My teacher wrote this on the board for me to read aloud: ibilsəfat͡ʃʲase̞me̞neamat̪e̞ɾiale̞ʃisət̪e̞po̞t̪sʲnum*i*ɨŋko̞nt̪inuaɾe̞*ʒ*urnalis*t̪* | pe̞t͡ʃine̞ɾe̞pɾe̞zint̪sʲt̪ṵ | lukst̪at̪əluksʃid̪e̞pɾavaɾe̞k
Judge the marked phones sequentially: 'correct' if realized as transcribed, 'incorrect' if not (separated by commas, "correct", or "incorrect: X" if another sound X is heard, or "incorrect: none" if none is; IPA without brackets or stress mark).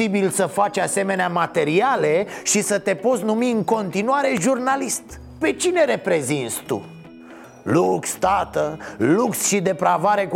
correct, correct, correct